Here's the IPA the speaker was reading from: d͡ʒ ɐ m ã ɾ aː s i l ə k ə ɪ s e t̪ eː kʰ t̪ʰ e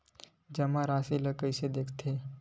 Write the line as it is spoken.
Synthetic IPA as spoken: d͡ʒ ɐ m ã ɾ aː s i l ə k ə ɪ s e d̪ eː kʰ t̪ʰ e